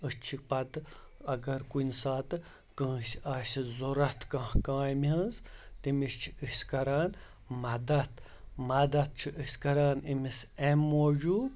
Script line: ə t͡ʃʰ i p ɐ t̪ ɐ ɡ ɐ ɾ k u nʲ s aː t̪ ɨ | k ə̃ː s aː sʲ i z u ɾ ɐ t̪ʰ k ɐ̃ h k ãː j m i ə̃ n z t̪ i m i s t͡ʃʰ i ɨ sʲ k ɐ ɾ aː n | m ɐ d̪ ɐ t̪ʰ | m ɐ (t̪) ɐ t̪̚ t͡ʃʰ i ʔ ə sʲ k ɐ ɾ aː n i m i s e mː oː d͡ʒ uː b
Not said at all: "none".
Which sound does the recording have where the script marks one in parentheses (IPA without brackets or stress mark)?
d̪